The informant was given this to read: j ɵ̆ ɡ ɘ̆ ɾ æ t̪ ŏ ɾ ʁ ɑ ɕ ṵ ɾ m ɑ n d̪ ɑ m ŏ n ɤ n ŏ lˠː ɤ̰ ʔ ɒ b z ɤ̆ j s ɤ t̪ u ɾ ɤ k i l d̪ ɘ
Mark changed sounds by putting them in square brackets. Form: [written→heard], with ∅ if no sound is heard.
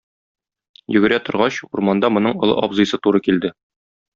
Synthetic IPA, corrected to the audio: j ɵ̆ ɡ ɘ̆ ɾ æ t̪ ŏ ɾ ʁ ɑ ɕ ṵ ɾ m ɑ n d̪ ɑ m ŏ n ɤ [n→ɴ] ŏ [lˠː→lˠ] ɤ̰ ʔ ɒ b z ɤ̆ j s ɤ t̪ u ɾ ɤ k i l d̪ ɘ